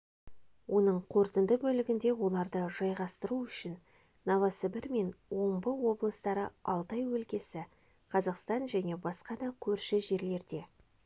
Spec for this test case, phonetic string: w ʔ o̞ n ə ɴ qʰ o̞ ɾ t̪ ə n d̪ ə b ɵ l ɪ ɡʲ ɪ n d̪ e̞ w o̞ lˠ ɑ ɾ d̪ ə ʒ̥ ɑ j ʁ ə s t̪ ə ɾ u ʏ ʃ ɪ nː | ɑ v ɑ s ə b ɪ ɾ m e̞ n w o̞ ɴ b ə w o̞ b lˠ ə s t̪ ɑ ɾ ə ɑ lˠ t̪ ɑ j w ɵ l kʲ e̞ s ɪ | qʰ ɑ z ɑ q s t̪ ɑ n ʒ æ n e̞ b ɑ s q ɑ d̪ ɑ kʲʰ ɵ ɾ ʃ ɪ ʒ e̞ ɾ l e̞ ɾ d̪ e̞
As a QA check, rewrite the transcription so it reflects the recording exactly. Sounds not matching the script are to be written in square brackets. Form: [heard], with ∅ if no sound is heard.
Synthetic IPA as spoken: w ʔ o̞ n ə ɴ qʰ o̞ ɾ t̪ ə n d̪ ə b ɵ l ɪ ɡʲ ɪ n d̪ e̞ w o̞ lˠ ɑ ɾ d̪ ə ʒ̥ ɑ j ʁ [ɑ] s t̪ ə ɾ u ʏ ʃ ɪ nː | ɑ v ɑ s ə b ɪ ɾ m e̞ n w o̞ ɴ b ə w o̞ b lˠ ə s t̪ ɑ ɾ ə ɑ lˠ t̪ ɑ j w ɵ l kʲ e̞ s ɪ | qʰ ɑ z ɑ q s t̪ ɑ n ʒ æ n e̞ b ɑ s q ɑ d̪ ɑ kʲʰ ɵ ɾ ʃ ɪ ʒ e̞ ɾ l e̞ ɾ d̪ e̞

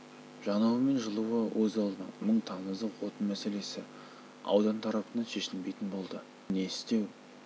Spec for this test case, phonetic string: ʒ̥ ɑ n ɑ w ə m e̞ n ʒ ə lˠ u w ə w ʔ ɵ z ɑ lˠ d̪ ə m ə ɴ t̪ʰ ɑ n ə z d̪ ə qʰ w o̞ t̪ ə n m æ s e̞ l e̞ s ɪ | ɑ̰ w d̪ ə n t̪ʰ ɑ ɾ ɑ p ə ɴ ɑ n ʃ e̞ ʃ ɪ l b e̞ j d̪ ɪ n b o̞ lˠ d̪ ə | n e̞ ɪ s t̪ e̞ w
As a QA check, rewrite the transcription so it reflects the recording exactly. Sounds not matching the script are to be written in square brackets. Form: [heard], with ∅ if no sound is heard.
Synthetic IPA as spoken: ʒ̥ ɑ n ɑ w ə m e̞ n ʒ ə lˠ u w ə w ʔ ɵ z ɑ lˠ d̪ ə m ə ɴ t̪ʰ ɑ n ə z d̪ ə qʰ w o̞ t̪ ə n m æ s e̞ l e̞ s ɪ | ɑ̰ w d̪ [ɑ] n t̪ʰ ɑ ɾ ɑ p ə [n] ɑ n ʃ e̞ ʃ ɪ l b e̞ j [t̪] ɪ n b o̞ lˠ d̪ ə | n e̞ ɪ s t̪ e̞ w

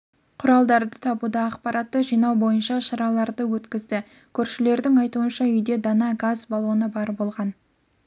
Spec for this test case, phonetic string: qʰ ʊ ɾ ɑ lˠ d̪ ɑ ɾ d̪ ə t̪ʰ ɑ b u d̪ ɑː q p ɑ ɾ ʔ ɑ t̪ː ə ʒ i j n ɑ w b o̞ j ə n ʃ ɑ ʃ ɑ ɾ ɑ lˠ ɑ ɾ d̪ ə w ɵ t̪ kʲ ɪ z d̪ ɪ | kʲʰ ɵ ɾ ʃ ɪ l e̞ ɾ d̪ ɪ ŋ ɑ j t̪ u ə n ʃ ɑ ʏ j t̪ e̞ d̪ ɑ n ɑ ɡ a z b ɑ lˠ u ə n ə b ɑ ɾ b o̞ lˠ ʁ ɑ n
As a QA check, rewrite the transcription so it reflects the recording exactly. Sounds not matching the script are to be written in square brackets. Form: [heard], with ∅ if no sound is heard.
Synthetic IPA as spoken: qʰ ʊ ɾ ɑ lˠ d̪ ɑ ɾ d̪ ə t̪ʰ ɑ b u d̪ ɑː q p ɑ ɾ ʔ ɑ t̪ː ə ʒ i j n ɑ w b o̞ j ə n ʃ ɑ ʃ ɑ ɾ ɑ lˠ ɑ ɾ d̪ ə w ɵ t̪ kʲ ɪ z d̪ ɪ | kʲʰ ɵ ɾ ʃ ɪ l e̞ ɾ d̪ ɪ ŋ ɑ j t̪ u ə n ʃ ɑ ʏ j [d̪] e̞ d̪ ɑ n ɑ ɡ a z b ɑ lˠ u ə n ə b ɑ ɾ b o̞ lˠ ʁ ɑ n

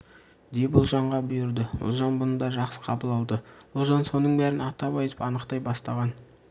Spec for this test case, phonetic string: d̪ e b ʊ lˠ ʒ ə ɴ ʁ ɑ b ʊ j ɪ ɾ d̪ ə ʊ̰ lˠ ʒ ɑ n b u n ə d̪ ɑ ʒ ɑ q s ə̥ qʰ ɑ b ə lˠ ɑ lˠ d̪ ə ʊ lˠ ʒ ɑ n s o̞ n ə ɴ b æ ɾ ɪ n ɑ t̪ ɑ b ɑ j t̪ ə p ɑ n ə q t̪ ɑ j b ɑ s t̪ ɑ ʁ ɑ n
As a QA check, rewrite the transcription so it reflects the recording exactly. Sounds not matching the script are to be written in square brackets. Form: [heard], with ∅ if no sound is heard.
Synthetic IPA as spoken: d̪ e b ʊ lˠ ʒ [ɑ] ɴ ʁ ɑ b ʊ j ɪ ɾ d̪ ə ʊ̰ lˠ ʒ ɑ n b [ʊ] n ə d̪ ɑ ʒ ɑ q s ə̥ qʰ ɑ b ə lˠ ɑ lˠ d̪ ə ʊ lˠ ʒ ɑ n s o̞ n ə ɴ b æ ɾ ɪ n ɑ t̪ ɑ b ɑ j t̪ ə p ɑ n ə q t̪ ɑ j b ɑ s t̪ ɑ ʁ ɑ n

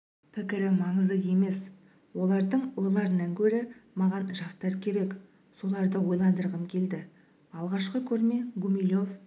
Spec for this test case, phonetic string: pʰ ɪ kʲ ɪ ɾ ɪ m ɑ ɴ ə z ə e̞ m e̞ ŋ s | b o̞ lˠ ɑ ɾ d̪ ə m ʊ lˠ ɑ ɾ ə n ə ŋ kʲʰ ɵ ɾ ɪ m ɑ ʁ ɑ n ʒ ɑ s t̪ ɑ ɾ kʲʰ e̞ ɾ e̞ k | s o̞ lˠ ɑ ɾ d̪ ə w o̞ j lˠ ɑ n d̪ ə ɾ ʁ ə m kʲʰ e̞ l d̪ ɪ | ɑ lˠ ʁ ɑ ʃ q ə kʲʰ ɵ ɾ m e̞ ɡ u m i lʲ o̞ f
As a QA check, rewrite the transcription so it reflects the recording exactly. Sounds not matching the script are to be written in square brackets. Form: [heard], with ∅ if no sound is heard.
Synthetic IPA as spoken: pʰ ɪ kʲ ɪ ɾ ɪ m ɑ ɴ ə z ə e̞ m e̞ [∅] s | [w] o̞ lˠ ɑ ɾ d̪ ə [ɴ] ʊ lˠ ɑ ɾ ə n [ɑ] ŋ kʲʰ ɵ ɾ ɪ m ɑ ʁ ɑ n ʒ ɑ s t̪ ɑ ɾ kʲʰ e̞ ɾ e̞ k | s o̞ lˠ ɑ ɾ d̪ ə w o̞ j lˠ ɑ n d̪ ə ɾ ʁ ə m kʲʰ e̞ l d̪ ɪ | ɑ lˠ ʁ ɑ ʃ q ə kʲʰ ɵ ɾ m e̞ ɡ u m i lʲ o̞ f

